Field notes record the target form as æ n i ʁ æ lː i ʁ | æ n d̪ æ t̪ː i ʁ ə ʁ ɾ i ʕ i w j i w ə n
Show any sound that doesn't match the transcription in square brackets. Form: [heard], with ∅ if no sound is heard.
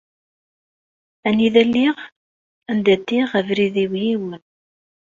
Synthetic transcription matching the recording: æ n i [ð] æ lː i ʁ | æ n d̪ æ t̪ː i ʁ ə [v] ɾ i [ð] i w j i w ə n